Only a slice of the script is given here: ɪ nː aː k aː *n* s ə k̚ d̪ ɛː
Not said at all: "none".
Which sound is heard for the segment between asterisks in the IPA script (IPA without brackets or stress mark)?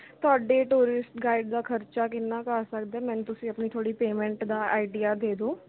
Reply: none